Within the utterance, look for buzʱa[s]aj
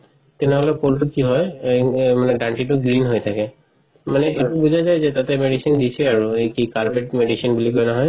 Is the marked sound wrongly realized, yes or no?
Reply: yes